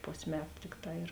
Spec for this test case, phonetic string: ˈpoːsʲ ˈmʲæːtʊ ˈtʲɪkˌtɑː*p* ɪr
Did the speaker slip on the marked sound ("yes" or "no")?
yes